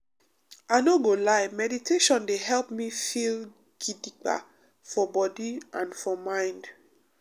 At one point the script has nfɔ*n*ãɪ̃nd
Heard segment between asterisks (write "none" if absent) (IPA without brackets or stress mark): m